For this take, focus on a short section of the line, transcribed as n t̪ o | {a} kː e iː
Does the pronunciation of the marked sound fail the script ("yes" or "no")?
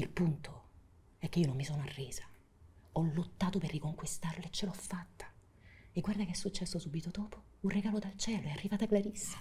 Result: yes